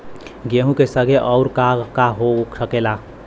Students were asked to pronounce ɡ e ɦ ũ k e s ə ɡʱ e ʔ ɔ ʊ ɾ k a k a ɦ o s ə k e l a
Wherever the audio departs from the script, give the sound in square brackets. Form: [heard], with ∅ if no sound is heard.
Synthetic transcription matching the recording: ɡ e ɦ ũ k e s ə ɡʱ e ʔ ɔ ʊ ɾ k a k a ɦ o s ə k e l a